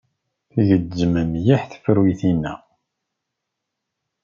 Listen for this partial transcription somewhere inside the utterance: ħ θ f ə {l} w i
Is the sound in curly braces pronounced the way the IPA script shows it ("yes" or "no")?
no